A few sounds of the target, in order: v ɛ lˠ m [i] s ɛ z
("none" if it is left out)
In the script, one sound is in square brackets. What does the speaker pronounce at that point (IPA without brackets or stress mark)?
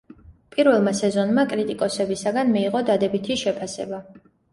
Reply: a